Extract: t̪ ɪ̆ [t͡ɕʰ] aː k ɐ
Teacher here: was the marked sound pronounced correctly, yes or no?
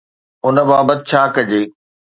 yes